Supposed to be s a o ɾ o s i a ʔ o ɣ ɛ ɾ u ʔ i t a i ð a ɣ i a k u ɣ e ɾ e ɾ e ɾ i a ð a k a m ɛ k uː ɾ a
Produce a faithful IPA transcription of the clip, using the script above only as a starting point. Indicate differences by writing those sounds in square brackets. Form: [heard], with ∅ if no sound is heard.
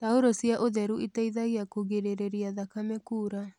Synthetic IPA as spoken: [t] a o ɾ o s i a ʔ o [ð] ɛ ɾ u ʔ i t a i ð a ɣ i a k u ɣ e ɾ e ɾ e ɾ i a ð a k a m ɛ k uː ɾ a